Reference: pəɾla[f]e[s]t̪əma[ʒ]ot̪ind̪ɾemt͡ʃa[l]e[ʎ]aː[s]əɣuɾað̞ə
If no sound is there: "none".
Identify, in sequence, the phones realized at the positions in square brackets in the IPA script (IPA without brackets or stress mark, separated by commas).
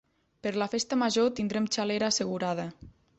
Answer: f, s, ʒ, l, ɾ, s